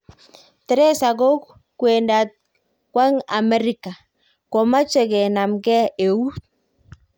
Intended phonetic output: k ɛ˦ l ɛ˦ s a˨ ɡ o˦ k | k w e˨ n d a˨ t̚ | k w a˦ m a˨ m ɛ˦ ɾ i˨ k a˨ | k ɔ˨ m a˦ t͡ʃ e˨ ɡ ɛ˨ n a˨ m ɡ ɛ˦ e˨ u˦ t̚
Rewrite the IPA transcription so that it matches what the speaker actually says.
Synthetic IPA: t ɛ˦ ɾ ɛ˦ s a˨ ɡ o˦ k | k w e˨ n d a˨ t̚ | k w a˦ ŋ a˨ m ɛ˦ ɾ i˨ k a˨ | k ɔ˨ m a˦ t͡ʃ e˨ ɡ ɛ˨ n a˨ m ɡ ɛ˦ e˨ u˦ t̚